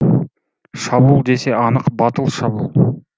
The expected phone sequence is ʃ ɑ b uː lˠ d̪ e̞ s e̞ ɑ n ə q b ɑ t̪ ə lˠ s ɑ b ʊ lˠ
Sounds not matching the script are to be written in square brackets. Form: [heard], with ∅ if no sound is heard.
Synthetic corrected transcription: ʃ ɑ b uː lˠ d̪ e̞ s e̞ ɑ n ə q b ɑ t̪ ə lˠ [ʃ] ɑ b [u] lˠ